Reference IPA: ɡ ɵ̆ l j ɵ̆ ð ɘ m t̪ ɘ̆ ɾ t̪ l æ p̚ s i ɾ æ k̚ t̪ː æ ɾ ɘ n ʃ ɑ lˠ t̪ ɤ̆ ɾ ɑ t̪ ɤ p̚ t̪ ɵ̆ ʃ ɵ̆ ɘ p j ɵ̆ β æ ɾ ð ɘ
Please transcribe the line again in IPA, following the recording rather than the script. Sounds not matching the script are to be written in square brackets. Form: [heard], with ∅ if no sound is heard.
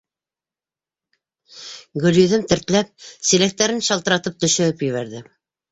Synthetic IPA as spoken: ɡ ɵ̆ l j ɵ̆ ð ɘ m t̪ ɘ̆ ɾ t̪ l æ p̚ s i [l] æ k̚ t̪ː æ ɾ ɘ n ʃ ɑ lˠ t̪ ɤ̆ ɾ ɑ t̪ ɤ p̚ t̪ ɵ̆ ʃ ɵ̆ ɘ p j ɵ̆ β æ ɾ ð ɘ